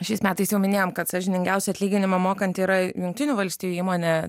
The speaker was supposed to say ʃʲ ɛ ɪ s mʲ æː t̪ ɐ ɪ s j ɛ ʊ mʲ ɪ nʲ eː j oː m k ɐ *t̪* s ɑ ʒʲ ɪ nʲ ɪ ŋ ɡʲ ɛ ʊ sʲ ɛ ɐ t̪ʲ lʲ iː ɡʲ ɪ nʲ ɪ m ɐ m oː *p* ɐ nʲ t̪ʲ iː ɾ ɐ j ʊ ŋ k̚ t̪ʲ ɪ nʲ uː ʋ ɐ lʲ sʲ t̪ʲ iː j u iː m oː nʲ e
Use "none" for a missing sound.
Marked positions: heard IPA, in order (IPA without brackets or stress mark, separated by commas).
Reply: t̪, k